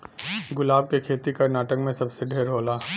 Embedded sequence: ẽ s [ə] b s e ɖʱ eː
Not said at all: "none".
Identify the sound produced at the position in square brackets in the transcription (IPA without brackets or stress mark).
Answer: ɐ